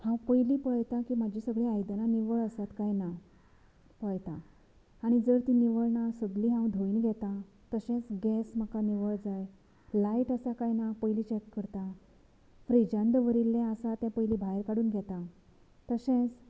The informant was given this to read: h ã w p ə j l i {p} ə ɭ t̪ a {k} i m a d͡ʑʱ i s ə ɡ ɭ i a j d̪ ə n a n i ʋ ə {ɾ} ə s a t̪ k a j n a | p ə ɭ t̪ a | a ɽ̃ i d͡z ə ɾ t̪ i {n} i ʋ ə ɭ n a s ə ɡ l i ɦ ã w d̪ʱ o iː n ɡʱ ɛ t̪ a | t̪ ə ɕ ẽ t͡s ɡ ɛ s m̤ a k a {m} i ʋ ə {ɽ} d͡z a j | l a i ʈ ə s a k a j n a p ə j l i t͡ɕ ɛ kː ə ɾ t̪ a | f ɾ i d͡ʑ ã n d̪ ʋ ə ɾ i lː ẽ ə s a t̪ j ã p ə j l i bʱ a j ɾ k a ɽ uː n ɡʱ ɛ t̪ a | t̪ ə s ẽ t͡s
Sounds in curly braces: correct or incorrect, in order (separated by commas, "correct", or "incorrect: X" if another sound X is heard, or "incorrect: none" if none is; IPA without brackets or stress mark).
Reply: correct, correct, incorrect: ɭ, correct, incorrect: n, incorrect: ɭ